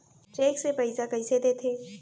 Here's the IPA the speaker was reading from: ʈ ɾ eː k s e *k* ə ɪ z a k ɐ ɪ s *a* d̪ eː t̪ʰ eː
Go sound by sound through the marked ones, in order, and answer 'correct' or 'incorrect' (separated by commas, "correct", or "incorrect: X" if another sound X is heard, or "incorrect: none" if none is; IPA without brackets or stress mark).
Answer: incorrect: p, incorrect: e